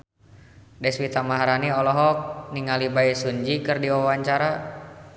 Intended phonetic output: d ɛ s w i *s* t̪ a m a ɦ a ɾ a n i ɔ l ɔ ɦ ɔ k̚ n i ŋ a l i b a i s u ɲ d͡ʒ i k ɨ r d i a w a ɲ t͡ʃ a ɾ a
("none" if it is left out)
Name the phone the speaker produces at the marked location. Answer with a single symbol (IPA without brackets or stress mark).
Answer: none